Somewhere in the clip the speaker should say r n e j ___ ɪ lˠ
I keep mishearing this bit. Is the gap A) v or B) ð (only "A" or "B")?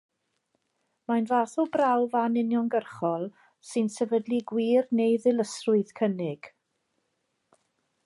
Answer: B